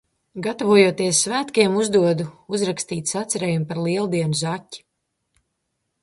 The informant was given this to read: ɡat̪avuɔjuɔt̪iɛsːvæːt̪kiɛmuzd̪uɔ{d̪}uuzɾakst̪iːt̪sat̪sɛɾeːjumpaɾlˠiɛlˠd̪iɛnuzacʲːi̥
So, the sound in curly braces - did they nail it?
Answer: yes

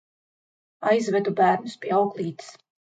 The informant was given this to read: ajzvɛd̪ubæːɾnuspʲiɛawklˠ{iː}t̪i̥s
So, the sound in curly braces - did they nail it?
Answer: yes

